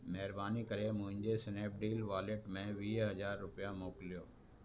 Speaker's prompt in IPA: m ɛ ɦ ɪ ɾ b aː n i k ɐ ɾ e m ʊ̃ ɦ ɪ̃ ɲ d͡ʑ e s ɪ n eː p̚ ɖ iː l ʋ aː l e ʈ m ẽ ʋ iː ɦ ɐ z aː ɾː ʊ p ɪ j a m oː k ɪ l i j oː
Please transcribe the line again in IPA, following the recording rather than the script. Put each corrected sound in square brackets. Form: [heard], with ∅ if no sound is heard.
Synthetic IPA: m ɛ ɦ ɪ ɾ b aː n i k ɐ ɾ e m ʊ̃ ɦ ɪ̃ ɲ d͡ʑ e s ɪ n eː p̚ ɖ iː l ʋ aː l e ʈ m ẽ ʋ iː ɦ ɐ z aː ɾː ʊ p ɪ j a m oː k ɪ l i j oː